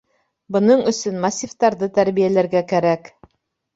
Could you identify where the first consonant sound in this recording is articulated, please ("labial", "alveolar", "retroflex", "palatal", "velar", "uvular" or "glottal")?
labial